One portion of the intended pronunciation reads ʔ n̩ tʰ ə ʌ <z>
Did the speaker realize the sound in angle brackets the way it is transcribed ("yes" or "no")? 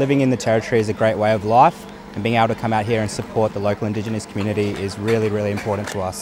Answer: no